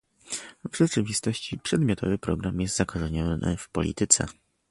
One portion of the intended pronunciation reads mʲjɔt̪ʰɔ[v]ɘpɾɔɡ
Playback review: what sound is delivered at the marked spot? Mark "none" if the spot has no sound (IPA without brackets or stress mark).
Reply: v